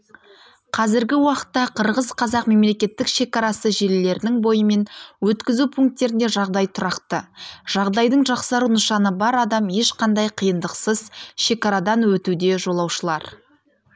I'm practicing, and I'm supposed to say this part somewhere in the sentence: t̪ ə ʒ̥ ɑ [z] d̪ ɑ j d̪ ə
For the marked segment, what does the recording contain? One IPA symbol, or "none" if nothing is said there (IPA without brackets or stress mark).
ʁ